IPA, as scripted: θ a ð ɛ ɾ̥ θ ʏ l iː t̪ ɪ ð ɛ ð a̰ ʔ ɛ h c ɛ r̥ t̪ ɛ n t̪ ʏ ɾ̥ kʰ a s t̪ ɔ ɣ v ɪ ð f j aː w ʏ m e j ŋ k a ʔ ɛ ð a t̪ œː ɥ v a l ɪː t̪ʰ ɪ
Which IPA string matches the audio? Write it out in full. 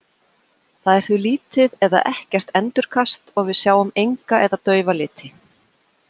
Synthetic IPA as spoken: θ a ð ɛ ɾ̥ θ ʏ l iː t̪ ɪ ð ɛ ð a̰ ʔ ɛ h c ɛ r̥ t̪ ɛ n t̪ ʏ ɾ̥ kʰ a s t̪ ɔ ɣ v ɪ ð s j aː w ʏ m e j ŋ k a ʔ ɛ ð a t̪ œː ɥ v a l ɪː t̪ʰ ɪ